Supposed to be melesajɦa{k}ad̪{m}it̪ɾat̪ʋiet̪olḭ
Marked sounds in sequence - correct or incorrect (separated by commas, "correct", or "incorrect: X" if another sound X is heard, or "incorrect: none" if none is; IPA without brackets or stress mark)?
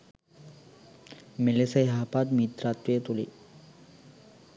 incorrect: p, correct